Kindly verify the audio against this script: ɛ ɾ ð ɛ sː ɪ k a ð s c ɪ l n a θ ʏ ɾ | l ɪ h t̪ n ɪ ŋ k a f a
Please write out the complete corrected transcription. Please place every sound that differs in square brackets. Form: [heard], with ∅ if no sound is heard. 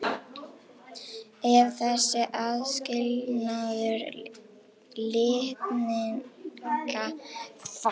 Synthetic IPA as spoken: ɛ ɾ [θ] ɛ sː ɪ [ʔ] a ð s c ɪ l n a [ð] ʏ ɾ | l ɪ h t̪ n ɪ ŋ k a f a

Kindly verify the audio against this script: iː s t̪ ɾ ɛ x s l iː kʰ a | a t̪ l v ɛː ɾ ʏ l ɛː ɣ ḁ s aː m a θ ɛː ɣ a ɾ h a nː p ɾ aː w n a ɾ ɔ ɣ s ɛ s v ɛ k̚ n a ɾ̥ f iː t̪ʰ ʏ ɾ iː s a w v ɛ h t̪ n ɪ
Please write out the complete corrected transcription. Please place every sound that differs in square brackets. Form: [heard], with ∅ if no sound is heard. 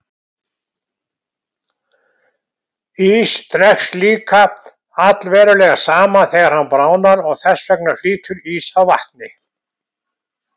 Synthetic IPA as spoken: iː s t̪ ɾ ɛ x s l iː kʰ a | a t̪ l v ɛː ɾ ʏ l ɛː ɣ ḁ s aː m a θ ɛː ɣ a ɾ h a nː p ɾ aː w n a ɾ ɔ ɣ [θ] ɛ s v ɛ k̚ n a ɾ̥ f iː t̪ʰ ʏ ɾ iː s a w v [a] h t̪ n ɪ

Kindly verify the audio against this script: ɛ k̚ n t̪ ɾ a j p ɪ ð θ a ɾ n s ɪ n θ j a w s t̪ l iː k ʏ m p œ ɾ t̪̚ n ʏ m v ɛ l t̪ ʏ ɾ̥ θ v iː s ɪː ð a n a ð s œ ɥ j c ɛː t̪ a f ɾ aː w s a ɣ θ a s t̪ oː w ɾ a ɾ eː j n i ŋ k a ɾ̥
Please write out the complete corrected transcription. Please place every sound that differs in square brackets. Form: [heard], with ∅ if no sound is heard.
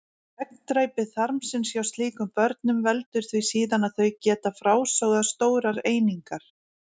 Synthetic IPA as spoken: ɛ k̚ n t̪ ɾ a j p ɪ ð θ a ɾ [m] s ɪ n [s] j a w s t̪ l iː k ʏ m p œ ɾ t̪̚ n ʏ m v ɛ l t̪ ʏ ɾ̥ θ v [i] s [iː] ð a n a ð [θ] œ ɥ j c ɛː t̪ a f ɾ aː w s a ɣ [ð] a s t̪ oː w ɾ a ɾ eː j n i ŋ k a ɾ̥

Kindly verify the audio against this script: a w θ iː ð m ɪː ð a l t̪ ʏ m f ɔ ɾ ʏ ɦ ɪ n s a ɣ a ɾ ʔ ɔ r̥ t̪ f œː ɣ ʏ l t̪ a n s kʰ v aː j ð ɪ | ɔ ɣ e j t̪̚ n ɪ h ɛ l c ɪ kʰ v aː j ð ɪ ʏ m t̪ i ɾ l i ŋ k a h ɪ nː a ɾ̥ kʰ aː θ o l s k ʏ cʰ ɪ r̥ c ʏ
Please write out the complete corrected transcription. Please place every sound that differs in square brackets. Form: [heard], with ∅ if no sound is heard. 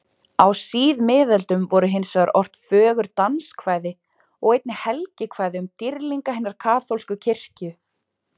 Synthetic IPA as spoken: a w [s] iː ð m ɪː ð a l t̪ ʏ m [v] ɔ ɾ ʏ ɦ ɪ n s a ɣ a ɾ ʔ ɔ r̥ t̪ f œː ɣ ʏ [ɾ] t̪ a n s kʰ v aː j ð ɪ | ɔ ɣ e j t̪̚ n ɪ h ɛ l c ɪ kʰ v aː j ð ɪ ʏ m t̪ i ɾ l i ŋ k a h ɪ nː a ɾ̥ kʰ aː θ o l s k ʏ cʰ ɪ r̥ c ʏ

